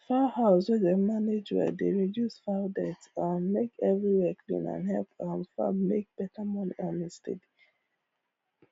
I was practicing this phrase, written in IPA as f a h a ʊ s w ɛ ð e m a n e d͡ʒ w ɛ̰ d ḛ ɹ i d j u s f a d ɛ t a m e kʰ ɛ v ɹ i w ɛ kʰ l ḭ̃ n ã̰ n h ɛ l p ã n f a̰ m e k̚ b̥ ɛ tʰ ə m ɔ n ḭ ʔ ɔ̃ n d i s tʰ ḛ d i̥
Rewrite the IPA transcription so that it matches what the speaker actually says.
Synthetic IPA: f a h a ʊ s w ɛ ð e m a n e d͡ʒ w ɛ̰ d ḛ ɹ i d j u s f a d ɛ t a m e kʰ ɛ v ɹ i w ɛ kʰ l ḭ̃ n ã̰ n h ɛ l p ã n f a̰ m e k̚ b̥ ɛ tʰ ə m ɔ n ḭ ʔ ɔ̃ n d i s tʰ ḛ d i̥